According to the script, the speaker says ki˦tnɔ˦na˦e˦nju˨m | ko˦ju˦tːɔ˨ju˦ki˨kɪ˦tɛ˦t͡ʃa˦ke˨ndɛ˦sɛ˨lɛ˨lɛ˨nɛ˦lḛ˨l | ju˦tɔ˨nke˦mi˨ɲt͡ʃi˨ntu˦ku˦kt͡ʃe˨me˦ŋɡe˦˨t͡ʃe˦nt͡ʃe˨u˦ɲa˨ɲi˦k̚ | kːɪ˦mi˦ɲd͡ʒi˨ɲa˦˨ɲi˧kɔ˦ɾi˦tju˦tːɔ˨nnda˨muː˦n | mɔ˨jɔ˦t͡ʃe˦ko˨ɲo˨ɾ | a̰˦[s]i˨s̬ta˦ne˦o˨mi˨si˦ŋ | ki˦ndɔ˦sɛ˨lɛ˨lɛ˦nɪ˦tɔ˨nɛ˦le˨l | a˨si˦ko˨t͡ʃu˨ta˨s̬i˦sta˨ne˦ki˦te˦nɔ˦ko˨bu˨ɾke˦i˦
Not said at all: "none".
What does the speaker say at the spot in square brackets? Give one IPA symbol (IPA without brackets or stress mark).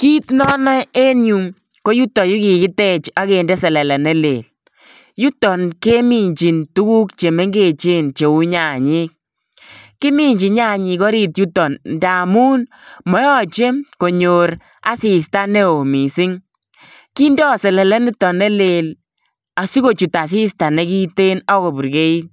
s